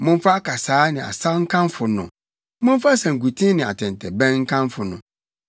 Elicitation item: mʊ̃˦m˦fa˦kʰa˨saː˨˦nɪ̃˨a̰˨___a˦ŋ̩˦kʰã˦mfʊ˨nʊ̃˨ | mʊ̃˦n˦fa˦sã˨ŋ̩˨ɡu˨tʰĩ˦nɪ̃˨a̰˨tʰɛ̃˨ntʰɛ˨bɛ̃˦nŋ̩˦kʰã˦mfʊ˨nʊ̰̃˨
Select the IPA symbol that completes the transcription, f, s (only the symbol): s